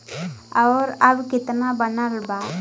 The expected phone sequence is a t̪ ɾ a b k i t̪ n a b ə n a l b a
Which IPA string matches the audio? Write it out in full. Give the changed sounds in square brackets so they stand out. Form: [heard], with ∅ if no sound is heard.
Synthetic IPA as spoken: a [∅] ɾ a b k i t̪ n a b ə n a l b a